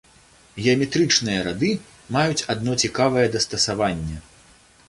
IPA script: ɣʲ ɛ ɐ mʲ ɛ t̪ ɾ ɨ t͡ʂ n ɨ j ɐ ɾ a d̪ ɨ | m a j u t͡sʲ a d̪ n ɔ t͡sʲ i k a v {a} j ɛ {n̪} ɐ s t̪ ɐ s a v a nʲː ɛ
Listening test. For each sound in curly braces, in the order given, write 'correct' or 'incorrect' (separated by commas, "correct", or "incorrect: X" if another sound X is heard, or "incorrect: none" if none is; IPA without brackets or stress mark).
incorrect: ɐ, incorrect: d̪